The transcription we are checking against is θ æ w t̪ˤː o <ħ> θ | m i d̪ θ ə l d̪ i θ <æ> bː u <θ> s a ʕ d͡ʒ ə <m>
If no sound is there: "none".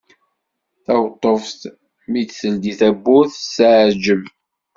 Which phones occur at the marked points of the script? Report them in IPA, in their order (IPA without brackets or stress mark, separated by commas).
f, æ, θ, m